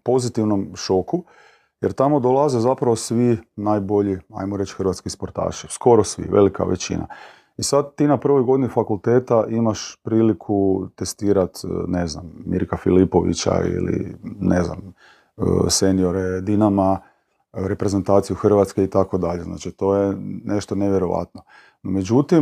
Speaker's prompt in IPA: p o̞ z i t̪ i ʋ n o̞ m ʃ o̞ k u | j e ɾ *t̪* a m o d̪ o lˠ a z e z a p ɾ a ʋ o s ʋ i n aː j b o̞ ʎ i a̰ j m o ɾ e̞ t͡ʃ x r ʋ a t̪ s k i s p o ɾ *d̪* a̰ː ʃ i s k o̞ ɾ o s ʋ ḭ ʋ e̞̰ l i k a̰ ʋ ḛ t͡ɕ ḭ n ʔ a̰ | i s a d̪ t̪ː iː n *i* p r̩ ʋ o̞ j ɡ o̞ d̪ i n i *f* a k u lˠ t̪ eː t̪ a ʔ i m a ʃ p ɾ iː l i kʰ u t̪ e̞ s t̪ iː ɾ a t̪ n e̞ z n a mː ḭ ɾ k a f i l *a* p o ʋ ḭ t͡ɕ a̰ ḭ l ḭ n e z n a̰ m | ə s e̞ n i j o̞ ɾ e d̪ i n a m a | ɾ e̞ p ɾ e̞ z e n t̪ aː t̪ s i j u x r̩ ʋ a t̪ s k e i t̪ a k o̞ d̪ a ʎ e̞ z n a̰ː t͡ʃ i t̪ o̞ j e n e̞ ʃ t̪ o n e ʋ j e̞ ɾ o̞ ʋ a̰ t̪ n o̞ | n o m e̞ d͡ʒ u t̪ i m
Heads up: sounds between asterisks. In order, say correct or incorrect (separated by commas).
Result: correct, incorrect, incorrect, correct, incorrect